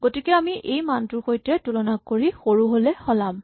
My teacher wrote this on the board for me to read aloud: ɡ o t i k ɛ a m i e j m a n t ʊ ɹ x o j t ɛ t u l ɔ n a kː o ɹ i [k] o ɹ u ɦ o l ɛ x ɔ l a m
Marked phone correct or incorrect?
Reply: incorrect